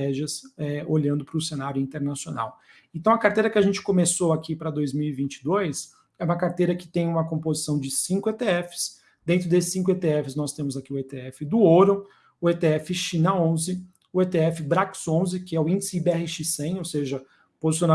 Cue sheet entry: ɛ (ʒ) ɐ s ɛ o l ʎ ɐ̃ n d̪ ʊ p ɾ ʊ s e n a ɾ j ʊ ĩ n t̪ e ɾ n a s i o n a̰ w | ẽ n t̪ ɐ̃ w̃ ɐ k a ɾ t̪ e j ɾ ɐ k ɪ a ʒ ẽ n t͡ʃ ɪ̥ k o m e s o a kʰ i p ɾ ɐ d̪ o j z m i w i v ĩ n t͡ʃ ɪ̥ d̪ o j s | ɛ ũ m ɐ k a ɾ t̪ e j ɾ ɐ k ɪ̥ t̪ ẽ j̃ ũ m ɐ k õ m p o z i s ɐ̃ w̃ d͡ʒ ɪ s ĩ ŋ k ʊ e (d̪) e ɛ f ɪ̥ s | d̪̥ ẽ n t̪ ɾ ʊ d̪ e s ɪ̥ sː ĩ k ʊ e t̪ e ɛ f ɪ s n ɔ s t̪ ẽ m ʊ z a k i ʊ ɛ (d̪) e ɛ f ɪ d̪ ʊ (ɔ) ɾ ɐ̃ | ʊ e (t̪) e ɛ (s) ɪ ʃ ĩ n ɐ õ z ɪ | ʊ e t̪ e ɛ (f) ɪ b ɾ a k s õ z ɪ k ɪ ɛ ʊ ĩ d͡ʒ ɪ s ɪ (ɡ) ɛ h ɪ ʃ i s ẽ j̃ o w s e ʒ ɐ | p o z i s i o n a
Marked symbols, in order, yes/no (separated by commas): yes, no, no, no, yes, no, yes, no